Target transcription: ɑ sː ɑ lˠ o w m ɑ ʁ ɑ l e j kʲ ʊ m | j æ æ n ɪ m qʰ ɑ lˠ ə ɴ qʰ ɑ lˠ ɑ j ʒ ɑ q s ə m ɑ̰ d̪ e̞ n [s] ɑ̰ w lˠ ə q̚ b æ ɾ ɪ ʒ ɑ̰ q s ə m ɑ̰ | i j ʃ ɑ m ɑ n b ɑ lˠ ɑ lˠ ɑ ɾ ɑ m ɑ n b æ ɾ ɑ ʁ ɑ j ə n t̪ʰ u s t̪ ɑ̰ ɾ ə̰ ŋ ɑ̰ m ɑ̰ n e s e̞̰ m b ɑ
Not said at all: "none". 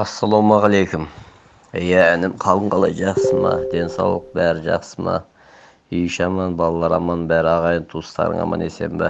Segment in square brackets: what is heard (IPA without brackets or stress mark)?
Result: s